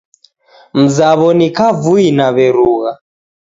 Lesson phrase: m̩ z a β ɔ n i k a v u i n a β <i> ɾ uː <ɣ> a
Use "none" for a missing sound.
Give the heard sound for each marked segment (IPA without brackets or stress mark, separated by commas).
ɛ, ɣ